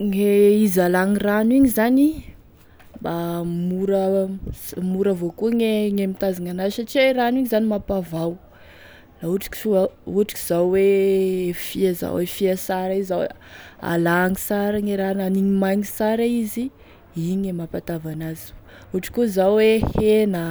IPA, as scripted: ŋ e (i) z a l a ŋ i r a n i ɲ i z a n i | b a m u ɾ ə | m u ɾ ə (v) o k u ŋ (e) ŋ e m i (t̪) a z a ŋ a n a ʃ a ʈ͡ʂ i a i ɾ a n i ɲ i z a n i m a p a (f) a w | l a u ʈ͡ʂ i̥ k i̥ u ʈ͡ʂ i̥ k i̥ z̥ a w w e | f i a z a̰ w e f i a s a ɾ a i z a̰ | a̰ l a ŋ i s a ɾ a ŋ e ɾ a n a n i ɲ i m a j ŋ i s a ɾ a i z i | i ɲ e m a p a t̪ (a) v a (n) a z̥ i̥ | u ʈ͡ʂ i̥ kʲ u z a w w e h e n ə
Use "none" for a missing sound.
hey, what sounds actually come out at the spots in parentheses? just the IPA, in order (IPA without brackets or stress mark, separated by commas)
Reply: i, v, e, t̪, v, a, n